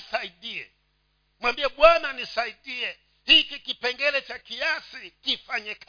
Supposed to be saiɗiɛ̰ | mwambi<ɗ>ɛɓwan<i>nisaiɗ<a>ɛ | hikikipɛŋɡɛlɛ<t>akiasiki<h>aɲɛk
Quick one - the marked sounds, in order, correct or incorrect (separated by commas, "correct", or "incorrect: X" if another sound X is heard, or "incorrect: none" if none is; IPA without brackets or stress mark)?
incorrect: none, incorrect: a, incorrect: i, incorrect: t͡ʃ, incorrect: f